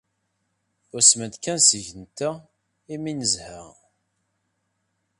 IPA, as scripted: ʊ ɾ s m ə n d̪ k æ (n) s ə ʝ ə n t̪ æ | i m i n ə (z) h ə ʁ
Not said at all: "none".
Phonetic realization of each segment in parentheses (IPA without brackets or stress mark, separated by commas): n, z